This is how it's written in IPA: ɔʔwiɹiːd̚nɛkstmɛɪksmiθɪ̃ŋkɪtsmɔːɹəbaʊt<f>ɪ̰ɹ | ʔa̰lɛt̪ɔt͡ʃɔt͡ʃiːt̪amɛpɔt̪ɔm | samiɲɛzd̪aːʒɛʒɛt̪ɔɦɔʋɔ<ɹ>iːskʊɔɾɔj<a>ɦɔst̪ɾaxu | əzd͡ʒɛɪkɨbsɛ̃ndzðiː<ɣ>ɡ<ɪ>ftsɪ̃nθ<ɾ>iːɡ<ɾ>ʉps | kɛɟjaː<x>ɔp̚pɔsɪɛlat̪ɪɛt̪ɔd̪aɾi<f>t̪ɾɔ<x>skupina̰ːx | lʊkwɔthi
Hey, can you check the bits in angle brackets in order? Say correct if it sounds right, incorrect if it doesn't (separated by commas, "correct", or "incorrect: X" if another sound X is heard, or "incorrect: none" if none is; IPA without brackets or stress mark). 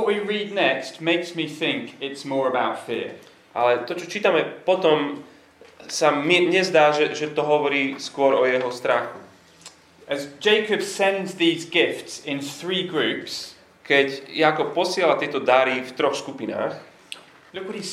correct, incorrect: ɾ, incorrect: ɛ, incorrect: z, correct, incorrect: ɹ, incorrect: ɹ, incorrect: k, correct, correct